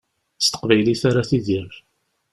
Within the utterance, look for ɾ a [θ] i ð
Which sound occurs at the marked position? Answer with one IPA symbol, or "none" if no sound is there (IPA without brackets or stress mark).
θ